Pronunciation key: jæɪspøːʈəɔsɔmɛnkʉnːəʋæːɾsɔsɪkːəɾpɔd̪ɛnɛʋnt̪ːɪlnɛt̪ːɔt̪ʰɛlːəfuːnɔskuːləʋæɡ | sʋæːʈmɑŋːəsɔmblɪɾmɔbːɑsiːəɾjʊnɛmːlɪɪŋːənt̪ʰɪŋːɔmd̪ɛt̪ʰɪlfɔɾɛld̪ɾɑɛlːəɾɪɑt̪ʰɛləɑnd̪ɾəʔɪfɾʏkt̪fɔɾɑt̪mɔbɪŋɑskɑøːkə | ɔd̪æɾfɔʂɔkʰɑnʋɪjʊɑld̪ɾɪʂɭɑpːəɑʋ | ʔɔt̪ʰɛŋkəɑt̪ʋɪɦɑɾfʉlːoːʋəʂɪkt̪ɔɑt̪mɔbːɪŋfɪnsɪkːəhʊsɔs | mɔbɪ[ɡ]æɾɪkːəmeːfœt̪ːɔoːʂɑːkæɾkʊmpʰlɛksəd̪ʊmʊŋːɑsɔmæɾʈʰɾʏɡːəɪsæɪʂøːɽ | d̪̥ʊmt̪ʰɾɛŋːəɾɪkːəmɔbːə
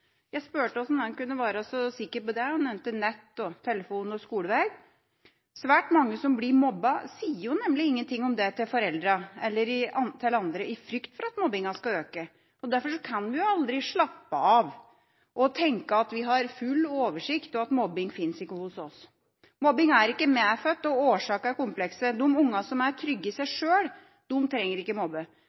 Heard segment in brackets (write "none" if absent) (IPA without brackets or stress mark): ŋ